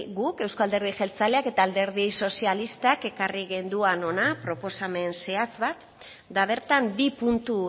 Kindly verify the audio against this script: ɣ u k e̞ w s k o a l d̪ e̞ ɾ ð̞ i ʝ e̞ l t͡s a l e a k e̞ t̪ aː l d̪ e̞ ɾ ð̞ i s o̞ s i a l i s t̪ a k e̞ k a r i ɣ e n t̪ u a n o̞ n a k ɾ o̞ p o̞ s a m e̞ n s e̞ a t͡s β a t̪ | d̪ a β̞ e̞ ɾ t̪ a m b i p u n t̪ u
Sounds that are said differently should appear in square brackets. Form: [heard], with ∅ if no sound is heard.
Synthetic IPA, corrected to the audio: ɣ u k e̞ w s k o a l d̪ e̞ ɾ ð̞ i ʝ e̞ l t͡s a l e a k e̞ t̪ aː l d̪ e̞ ɾ ð̞ i s o̞ s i a l i s t̪ a k e̞ k a r i ɣ e n [d̪] u a n o̞ n a [p] ɾ o̞ p o̞ s a m e̞ n s e̞ a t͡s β a t̪ | d̪ a β̞ e̞ ɾ t̪ a m b i p u n t̪ u